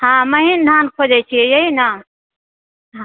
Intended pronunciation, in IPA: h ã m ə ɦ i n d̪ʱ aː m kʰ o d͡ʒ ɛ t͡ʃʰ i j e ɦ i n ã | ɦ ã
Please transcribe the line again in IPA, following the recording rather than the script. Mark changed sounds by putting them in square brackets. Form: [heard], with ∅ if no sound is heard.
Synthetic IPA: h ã m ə ɦ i n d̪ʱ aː [n] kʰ o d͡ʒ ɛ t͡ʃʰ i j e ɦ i n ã | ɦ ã